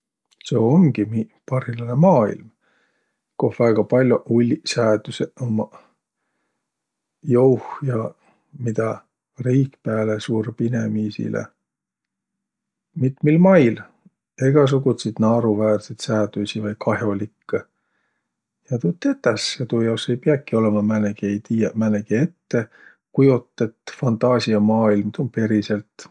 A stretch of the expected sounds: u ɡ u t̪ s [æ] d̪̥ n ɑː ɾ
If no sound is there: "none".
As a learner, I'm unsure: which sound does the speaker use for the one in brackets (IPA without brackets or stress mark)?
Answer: i